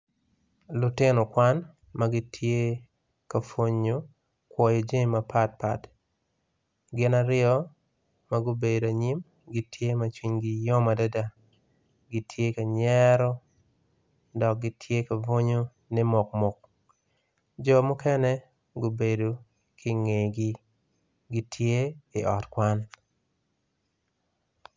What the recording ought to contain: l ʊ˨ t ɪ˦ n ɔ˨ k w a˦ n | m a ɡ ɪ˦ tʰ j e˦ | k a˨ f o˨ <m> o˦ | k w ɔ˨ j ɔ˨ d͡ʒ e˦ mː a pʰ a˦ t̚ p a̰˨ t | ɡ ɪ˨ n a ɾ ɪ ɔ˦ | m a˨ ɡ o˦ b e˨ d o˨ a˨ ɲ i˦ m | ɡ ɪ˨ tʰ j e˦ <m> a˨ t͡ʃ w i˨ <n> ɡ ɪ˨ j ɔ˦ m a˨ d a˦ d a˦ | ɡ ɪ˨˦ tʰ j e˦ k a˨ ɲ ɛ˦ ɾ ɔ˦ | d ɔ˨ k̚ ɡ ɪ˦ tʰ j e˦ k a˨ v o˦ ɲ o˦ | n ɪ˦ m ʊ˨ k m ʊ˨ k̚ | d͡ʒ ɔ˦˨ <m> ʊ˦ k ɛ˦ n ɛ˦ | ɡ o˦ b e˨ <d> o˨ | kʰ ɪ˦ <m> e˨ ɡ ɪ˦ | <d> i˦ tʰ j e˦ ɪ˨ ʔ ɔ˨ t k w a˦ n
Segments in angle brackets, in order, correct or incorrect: incorrect: ɲ, correct, incorrect: ɲ, correct, correct, incorrect: ŋ, incorrect: ɡ

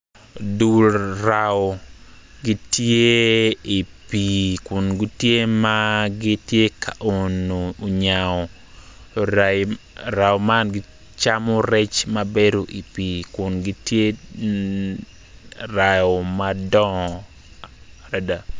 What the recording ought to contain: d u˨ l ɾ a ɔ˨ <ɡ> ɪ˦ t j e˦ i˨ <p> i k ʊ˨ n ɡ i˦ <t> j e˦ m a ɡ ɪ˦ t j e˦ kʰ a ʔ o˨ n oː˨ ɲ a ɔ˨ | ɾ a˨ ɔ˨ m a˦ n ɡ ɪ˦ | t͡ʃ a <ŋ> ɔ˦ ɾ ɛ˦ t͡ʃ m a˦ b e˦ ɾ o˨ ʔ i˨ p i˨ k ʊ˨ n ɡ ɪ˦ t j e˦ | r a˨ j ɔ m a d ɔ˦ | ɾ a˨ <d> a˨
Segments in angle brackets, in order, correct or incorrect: correct, correct, correct, incorrect: m, correct

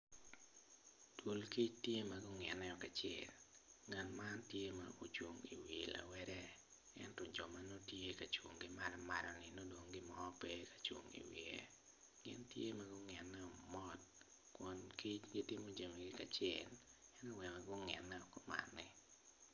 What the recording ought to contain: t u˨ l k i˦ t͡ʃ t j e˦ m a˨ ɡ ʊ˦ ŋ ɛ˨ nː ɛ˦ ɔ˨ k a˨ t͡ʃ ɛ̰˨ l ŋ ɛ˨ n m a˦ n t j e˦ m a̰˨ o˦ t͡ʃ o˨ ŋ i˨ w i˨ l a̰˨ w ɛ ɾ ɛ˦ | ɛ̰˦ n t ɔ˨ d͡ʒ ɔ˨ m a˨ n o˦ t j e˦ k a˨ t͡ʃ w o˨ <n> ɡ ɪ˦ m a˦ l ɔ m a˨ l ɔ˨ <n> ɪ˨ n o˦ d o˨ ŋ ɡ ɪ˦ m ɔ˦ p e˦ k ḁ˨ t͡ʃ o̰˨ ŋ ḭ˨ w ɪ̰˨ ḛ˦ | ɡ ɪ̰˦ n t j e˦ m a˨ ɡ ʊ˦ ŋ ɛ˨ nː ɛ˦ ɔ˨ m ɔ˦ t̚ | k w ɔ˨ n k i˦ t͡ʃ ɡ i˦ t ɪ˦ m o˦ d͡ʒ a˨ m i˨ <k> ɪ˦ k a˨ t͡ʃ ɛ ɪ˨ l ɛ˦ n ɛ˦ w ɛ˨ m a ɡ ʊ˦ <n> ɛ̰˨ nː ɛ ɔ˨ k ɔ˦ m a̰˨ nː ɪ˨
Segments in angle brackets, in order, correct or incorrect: incorrect: ŋ, correct, incorrect: ɡ, incorrect: ŋ

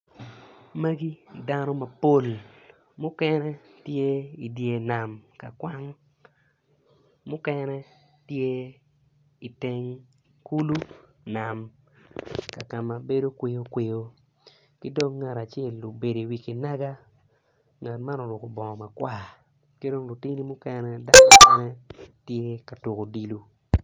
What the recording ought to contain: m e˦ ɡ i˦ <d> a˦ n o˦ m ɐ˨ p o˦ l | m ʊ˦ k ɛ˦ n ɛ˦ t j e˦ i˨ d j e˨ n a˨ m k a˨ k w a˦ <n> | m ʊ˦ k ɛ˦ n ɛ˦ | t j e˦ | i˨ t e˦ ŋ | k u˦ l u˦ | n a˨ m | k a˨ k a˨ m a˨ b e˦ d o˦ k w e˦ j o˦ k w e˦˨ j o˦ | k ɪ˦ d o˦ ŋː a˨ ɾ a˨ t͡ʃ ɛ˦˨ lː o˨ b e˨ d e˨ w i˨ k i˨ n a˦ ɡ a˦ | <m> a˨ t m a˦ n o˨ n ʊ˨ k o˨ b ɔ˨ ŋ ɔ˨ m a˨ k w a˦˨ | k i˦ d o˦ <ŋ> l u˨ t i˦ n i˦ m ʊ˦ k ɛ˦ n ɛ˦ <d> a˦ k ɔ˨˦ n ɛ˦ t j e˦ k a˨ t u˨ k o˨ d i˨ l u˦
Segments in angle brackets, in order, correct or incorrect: correct, incorrect: ŋ, incorrect: ŋ, correct, correct

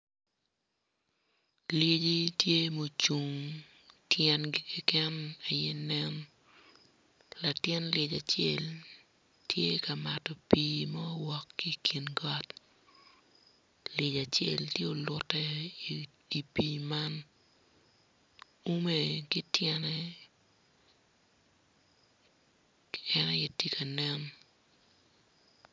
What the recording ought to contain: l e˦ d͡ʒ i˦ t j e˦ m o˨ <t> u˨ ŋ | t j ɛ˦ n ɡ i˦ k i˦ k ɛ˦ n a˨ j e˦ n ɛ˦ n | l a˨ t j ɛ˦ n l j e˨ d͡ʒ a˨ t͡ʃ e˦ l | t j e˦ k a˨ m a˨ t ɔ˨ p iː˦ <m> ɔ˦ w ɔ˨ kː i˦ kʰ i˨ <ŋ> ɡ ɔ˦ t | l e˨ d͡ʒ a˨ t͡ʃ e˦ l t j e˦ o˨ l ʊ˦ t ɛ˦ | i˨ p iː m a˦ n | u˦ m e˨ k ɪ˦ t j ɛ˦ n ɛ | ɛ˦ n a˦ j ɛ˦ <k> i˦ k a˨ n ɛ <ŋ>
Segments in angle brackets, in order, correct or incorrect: incorrect: t͡ʃ, correct, incorrect: n, incorrect: t, incorrect: n

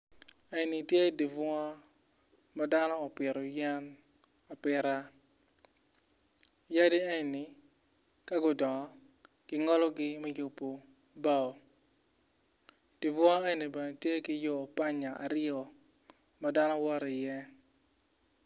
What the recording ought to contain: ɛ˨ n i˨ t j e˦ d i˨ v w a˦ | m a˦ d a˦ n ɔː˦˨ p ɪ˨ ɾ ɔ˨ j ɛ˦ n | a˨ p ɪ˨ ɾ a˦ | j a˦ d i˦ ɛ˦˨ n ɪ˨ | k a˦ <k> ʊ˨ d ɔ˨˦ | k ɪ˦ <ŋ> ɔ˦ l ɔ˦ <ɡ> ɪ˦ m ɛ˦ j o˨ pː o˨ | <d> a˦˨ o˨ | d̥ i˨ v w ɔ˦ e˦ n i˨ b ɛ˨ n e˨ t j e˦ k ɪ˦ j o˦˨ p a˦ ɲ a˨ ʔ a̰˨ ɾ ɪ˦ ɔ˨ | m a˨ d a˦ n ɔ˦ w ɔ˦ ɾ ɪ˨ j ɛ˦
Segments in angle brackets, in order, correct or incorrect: incorrect: ɡ, correct, correct, incorrect: b

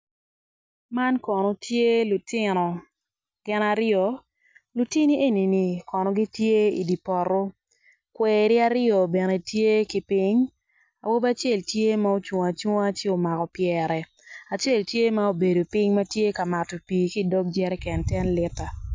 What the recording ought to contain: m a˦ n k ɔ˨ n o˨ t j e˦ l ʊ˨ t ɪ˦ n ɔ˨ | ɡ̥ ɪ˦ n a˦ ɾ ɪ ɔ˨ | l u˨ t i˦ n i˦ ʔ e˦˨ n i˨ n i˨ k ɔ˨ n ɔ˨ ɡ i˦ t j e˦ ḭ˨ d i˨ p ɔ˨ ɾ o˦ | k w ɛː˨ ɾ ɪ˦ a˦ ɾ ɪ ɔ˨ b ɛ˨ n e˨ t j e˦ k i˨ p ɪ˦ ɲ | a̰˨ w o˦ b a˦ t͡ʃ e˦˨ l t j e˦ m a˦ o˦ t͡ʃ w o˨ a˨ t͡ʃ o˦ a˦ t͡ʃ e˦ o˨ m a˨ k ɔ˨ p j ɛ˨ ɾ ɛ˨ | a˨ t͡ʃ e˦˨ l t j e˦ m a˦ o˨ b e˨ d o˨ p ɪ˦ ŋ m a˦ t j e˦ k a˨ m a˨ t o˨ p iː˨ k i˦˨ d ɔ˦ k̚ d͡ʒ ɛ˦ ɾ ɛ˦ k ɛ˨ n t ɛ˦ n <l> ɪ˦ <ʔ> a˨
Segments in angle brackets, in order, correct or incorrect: correct, incorrect: t

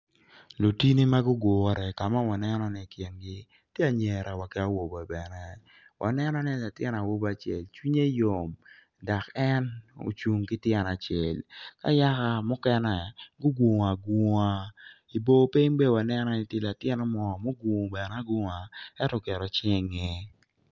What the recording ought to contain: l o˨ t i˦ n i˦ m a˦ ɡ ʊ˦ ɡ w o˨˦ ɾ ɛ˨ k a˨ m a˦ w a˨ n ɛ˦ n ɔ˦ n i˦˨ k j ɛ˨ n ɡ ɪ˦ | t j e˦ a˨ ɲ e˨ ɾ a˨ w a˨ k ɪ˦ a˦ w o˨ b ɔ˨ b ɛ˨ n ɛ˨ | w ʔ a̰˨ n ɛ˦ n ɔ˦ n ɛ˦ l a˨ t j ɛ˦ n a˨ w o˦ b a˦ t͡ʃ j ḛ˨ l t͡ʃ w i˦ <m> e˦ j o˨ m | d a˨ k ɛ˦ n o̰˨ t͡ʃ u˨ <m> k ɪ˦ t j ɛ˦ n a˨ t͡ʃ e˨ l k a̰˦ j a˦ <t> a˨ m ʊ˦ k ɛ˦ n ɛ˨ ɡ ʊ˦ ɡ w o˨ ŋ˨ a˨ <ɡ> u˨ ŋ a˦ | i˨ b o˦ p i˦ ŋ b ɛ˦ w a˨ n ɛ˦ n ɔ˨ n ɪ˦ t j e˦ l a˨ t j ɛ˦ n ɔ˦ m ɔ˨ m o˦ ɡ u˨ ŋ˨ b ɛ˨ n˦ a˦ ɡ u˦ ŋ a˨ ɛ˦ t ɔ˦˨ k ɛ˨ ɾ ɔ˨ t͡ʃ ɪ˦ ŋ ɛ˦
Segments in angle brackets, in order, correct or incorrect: incorrect: ɲ, incorrect: ŋ, incorrect: k, correct

